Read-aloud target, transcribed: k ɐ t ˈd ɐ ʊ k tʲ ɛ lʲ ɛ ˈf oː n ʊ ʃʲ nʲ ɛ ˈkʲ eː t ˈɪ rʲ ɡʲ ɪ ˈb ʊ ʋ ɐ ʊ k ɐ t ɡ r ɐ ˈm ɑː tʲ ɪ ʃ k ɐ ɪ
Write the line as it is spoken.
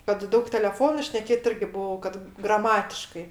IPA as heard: k ɐ t ˈd ɐ ʊ k tʲ ɛ lʲ ɛ ˈf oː n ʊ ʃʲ nʲ ɛ ˈkʲ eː t ˈɪ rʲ ɡʲ ɪ ˈb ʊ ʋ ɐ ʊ k ɐ t ɡ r ɐ ˈm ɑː tʲ ɪ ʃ k ɐ ɪ